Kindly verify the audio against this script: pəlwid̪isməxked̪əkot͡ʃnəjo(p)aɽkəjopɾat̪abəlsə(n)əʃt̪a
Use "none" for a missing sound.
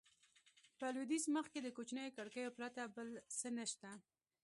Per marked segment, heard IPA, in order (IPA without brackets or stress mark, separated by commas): k, n